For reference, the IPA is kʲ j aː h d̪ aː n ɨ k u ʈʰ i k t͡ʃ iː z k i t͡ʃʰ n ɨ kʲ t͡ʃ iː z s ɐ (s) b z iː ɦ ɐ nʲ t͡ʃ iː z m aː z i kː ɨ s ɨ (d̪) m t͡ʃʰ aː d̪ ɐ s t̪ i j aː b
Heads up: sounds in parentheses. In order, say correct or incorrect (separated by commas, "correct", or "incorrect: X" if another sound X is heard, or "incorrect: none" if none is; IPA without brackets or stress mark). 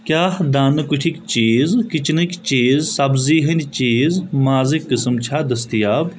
incorrect: none, incorrect: none